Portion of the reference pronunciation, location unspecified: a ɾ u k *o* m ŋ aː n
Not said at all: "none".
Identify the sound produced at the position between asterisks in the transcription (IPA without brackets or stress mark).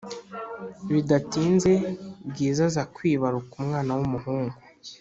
u